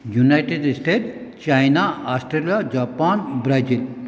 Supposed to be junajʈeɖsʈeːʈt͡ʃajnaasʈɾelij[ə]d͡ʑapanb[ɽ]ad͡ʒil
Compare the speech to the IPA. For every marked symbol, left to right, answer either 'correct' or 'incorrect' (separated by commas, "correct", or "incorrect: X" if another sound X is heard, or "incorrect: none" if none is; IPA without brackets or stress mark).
incorrect: a, incorrect: ɾ